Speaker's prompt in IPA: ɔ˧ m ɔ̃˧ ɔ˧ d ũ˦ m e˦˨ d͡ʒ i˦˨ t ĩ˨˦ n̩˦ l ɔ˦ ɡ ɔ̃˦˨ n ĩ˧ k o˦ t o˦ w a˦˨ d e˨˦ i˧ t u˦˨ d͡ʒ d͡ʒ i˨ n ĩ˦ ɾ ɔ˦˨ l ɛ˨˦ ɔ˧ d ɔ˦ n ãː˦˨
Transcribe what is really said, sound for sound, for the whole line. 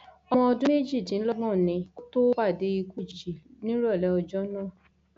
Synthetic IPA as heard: ɔ˧ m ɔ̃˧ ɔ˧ d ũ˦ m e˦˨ d͡ʒ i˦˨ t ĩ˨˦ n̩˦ l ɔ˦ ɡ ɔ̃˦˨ n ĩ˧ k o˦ t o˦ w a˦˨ d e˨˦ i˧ k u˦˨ d͡ʒ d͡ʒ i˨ n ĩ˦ ɾ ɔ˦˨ l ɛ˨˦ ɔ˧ d͡ʒ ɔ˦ n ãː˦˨